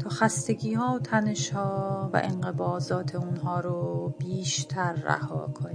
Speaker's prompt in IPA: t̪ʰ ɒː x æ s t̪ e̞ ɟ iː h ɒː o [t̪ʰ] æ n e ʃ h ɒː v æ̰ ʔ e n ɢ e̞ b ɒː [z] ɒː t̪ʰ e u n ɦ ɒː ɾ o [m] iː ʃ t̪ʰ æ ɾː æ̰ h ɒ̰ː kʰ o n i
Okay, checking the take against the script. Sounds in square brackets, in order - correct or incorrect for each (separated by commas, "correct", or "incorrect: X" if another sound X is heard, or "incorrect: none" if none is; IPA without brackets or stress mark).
correct, correct, incorrect: b